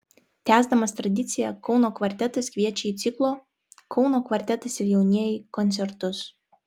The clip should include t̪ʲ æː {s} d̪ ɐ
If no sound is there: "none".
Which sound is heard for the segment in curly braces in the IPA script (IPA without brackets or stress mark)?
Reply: z